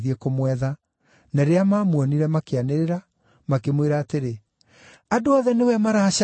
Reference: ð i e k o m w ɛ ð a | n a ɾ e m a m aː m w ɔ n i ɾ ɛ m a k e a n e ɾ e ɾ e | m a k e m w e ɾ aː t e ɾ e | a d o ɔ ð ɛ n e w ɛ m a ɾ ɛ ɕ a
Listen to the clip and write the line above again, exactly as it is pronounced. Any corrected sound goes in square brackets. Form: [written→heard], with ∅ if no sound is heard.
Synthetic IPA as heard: ð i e k o m w ɛ ð a | n a ɾ e [m→∅] a m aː m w ɔ n i ɾ ɛ m a k e a n e ɾ e ɾ [e→a] | m a k e m w e ɾ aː t e ɾ e | a d o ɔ ð ɛ n e w ɛ m a ɾ [ɛ→a] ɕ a